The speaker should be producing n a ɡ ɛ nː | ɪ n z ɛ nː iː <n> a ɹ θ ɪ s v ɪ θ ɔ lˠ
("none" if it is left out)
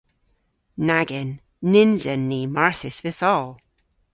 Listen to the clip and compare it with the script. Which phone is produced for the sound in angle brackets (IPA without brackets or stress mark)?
m